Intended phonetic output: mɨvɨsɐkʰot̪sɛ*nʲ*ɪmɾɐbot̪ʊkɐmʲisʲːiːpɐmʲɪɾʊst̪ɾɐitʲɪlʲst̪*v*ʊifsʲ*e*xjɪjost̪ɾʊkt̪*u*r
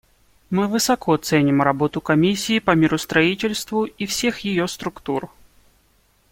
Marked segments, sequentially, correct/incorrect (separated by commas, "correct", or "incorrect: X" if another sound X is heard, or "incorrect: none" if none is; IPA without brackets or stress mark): correct, correct, correct, correct